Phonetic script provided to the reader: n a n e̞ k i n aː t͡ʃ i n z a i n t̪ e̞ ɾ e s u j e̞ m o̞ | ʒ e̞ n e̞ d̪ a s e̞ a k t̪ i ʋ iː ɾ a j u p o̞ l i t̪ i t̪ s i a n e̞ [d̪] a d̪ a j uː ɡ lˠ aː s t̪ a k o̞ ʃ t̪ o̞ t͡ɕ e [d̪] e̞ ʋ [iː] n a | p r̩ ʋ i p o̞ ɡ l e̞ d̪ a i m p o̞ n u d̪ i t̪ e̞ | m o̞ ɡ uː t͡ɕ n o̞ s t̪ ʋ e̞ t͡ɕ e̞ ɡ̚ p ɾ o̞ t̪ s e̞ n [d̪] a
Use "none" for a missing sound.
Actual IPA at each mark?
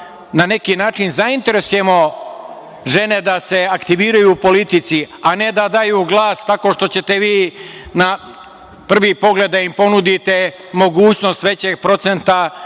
d̪, t̪, iː, t̪

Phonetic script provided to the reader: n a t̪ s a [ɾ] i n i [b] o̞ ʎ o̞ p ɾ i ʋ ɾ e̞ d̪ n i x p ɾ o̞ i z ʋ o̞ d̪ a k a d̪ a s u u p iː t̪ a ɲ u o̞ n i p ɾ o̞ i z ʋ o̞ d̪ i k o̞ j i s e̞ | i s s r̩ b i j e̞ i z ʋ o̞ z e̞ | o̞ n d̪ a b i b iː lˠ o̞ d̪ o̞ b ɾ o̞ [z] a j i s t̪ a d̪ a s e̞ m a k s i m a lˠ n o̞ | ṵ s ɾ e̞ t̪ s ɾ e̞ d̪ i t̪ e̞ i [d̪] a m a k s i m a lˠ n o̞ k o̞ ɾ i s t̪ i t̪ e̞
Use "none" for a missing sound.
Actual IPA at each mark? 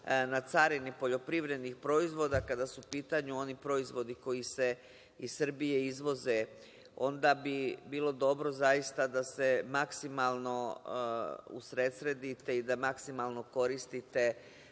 ɾ, p, z, d̪

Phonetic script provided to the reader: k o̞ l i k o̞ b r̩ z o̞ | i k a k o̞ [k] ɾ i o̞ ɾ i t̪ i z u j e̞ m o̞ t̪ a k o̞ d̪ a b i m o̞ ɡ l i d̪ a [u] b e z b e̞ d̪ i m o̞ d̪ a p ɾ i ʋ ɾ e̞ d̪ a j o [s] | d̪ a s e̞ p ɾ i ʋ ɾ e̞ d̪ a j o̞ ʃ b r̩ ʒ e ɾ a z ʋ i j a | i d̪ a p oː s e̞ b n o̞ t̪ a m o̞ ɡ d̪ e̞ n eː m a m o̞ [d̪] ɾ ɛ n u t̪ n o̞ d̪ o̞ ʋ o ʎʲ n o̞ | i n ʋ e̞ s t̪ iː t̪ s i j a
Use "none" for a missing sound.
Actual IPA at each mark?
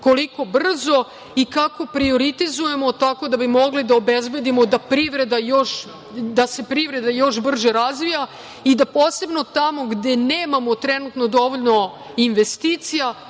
p, o, ʃ, t̪

